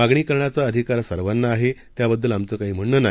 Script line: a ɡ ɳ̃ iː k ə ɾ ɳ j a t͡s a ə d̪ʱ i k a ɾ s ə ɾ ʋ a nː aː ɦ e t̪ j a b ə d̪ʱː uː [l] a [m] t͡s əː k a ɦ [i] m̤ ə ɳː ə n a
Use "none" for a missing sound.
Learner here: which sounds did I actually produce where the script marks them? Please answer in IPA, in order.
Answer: l, m, iː

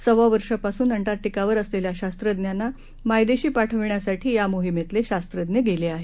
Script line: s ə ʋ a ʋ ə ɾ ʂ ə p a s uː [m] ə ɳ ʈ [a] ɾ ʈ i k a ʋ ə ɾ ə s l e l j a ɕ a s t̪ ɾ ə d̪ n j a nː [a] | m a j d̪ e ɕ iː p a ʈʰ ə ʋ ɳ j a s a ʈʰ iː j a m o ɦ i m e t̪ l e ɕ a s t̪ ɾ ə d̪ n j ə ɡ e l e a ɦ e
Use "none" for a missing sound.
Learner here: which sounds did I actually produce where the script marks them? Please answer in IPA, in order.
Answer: n, a, a

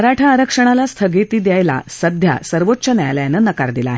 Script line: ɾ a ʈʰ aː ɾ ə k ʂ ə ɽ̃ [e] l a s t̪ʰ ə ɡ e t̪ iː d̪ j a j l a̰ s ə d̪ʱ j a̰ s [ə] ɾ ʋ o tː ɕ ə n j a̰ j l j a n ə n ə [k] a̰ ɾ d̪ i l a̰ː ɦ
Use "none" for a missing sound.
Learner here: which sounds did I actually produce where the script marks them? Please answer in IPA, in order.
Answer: a, ə, k

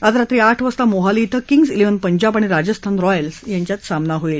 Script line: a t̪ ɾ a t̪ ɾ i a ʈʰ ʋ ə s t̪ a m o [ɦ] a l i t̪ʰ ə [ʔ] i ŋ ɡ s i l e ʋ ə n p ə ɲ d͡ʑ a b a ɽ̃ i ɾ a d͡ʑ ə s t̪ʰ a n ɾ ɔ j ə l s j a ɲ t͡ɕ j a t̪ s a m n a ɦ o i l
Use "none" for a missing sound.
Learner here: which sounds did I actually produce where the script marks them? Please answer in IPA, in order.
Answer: ɦ, k

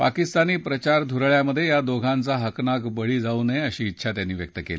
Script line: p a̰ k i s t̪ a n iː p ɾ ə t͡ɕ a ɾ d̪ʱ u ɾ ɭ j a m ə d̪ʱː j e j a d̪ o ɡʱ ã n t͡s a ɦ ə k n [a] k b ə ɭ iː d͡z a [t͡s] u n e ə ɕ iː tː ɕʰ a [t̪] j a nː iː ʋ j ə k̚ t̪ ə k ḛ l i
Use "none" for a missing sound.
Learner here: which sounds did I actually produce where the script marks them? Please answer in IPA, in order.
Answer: a, none, t̪

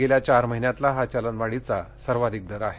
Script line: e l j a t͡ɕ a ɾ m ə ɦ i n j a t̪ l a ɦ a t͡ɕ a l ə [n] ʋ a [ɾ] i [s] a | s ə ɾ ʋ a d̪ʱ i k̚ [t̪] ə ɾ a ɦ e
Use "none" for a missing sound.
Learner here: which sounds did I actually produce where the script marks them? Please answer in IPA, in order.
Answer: n, ɽ, t͡s, d̪

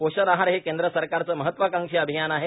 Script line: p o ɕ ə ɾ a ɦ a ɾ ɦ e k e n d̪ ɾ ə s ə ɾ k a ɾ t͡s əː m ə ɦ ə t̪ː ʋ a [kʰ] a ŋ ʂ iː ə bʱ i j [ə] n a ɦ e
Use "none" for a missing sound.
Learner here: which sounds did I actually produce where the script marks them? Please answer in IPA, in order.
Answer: k, a

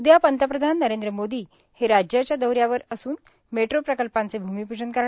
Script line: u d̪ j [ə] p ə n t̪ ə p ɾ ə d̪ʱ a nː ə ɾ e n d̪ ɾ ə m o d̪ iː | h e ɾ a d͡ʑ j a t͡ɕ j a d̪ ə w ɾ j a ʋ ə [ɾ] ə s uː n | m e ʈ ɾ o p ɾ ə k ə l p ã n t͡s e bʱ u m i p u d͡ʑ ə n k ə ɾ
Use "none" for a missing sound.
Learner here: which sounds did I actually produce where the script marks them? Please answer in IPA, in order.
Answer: a, ɾ

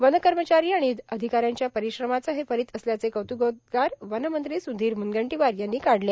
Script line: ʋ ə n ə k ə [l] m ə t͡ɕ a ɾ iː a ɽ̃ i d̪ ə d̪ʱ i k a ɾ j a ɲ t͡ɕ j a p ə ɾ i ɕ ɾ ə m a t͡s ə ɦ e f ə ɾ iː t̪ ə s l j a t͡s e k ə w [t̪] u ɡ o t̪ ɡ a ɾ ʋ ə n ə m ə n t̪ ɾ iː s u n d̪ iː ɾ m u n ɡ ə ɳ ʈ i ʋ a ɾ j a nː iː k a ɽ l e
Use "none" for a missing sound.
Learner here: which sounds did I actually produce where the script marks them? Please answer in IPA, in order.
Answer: ɾ, t̪

